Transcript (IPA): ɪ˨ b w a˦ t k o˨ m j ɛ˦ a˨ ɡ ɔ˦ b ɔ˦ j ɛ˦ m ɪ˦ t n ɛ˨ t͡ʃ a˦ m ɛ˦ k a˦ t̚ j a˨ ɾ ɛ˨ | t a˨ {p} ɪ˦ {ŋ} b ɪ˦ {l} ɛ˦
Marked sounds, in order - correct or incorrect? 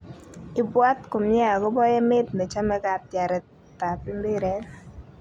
correct, incorrect: m, incorrect: ɾ

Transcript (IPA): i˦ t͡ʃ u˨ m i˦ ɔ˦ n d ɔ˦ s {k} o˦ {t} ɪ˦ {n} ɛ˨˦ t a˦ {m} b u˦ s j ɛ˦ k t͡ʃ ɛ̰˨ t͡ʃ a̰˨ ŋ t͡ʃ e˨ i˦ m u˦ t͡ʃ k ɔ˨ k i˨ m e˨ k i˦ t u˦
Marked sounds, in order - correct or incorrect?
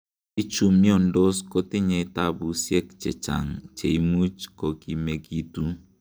correct, correct, incorrect: ɲ, incorrect: none

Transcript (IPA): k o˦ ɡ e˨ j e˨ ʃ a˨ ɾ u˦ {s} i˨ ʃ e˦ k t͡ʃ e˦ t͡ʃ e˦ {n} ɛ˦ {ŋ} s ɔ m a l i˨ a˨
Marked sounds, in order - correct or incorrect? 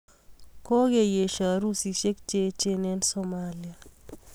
correct, correct, incorrect: n

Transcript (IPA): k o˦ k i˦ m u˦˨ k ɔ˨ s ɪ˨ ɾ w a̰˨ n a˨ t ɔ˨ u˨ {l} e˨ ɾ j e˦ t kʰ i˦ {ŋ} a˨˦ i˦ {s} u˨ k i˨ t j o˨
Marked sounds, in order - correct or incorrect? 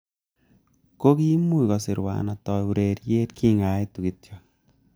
incorrect: ɾ, correct, incorrect: t

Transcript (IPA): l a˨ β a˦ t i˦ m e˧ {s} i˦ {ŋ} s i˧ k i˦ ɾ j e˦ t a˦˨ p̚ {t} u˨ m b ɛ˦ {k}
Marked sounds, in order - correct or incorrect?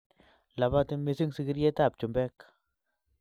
correct, correct, incorrect: t͡ʃ, correct

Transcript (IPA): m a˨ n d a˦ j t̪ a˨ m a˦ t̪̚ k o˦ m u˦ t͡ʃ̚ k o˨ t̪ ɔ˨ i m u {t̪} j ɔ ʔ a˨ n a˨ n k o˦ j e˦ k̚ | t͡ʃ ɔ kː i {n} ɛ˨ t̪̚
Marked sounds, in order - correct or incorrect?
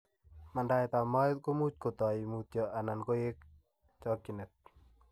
correct, correct

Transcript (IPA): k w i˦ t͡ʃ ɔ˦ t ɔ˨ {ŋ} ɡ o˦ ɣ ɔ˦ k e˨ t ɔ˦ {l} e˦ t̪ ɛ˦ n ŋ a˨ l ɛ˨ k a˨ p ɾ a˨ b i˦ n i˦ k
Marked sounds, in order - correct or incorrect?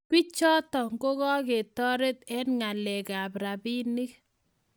correct, incorrect: ɾ

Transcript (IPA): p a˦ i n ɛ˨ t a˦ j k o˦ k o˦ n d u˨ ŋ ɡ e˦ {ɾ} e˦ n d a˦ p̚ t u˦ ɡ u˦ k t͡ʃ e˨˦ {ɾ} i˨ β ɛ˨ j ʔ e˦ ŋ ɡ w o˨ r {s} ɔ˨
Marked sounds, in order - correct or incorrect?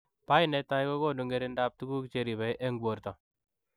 correct, correct, incorrect: t

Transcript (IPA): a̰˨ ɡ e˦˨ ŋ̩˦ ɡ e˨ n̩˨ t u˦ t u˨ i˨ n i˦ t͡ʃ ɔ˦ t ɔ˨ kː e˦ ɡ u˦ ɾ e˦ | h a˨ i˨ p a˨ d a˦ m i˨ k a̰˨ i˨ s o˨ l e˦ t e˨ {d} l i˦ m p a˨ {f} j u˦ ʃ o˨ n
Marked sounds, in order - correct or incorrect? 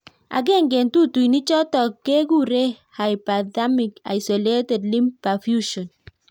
correct, correct

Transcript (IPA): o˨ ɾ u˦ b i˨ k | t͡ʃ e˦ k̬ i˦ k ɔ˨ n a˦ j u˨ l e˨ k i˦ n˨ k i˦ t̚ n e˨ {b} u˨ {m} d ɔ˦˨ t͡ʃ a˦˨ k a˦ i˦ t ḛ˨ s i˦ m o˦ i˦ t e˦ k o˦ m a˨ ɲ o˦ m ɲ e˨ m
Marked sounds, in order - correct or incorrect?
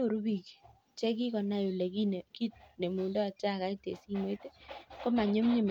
incorrect: m, incorrect: n

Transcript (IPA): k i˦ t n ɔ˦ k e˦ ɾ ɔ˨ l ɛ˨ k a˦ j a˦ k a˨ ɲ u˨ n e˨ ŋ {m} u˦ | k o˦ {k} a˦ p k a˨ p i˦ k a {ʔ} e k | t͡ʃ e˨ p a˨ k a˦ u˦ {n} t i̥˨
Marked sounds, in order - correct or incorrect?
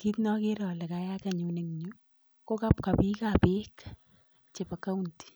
incorrect: ɲ, correct, incorrect: p, correct

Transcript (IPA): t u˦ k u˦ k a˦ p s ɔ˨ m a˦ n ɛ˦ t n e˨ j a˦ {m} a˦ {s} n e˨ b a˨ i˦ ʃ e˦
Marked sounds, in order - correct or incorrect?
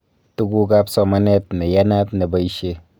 incorrect: n, incorrect: t

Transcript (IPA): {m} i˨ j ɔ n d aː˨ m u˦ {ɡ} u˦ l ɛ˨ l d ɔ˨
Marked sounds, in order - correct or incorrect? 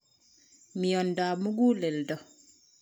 correct, correct

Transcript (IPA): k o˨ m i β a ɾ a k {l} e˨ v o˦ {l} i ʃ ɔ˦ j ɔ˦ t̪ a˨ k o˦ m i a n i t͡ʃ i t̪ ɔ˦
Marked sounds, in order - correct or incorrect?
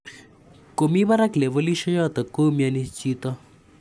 correct, correct

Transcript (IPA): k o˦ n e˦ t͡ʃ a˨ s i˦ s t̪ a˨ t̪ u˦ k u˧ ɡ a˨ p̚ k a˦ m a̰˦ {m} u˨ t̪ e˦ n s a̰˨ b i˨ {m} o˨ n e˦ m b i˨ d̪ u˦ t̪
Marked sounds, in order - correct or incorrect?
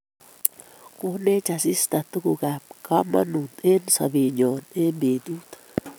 incorrect: n, incorrect: ɲ

